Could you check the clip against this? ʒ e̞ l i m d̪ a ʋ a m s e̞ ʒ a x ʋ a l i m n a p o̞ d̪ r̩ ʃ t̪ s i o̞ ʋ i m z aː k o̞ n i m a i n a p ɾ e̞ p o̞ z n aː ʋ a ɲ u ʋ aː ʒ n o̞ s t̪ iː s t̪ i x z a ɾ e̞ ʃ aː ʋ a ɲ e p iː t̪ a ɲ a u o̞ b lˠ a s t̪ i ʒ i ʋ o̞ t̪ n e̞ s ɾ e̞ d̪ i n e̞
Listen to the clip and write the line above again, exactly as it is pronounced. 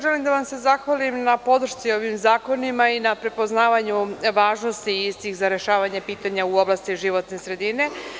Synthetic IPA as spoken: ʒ e̞ l i m d̪ a ʋ a m s e̞ z a x ʋ a l i m n a p o̞ d̪ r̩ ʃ t̪ s i o̞ ʋ i m z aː k o̞ n i m a i n a p ɾ e̞ p o̞ z n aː ʋ a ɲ u ʋ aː ʒ n o̞ s t̪ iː s t̪ i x z a ɾ e̞ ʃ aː ʋ a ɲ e p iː t̪ a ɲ a u o̞ b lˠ a s t̪ i ʒ i ʋ o̞ t̪ n e̞ s ɾ e̞ d̪ i n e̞